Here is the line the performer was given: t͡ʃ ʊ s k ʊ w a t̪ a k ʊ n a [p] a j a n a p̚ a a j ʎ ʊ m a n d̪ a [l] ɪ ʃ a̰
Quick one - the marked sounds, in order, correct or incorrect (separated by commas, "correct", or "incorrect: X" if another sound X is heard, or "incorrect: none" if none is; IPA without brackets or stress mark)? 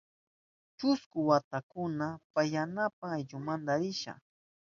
correct, incorrect: ɾ